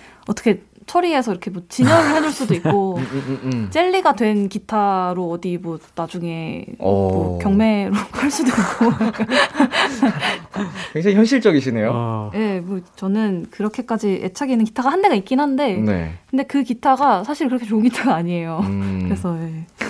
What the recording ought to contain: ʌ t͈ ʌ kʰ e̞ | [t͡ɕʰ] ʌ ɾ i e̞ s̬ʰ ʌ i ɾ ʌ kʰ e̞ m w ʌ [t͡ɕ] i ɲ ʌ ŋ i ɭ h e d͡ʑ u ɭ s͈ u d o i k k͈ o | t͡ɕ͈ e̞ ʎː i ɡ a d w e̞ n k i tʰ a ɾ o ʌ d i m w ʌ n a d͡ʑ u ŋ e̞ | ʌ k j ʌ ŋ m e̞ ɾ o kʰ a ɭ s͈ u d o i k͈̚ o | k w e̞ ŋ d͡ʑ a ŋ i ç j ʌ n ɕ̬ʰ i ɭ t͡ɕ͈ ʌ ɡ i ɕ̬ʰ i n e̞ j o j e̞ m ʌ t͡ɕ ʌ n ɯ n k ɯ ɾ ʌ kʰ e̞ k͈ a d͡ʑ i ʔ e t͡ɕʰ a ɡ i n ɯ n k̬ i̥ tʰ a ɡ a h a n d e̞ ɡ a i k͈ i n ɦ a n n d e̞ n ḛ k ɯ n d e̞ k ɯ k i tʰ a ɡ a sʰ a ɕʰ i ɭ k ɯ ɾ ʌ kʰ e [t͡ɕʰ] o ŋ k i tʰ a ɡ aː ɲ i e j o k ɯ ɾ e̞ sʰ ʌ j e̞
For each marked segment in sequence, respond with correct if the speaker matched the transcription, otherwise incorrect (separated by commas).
correct, correct, incorrect